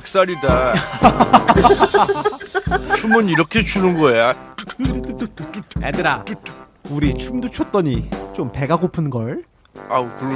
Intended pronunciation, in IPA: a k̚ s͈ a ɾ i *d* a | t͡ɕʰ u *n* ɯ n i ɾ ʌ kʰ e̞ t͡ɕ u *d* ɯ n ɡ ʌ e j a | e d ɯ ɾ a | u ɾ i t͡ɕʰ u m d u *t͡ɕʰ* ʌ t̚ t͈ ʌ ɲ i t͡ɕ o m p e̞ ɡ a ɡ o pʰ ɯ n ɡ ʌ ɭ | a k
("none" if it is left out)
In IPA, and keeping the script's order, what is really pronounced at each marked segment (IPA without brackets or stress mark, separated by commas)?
d, m, n, t͡ɕʰ